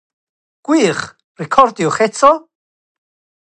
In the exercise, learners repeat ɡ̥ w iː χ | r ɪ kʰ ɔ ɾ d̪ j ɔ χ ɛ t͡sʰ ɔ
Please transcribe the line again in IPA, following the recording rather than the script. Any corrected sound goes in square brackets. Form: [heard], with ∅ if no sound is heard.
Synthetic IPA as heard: ɡ̥ w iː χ | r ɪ kʰ ɔ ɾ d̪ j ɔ χ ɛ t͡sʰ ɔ